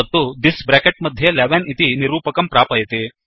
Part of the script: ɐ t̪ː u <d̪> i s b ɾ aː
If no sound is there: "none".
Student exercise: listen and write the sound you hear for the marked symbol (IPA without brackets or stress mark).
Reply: d̪